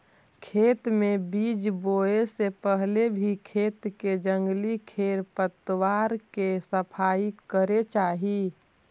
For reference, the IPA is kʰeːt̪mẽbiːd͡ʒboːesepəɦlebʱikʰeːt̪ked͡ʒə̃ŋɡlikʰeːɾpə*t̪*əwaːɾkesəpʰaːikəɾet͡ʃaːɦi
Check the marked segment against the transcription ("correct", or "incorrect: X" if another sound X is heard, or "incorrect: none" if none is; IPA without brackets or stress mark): correct